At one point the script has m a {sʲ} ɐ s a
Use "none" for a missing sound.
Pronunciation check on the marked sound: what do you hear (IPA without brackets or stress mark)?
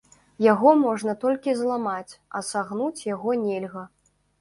t͡sʲ